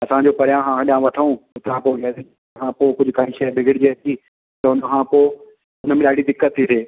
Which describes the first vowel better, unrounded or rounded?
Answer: unrounded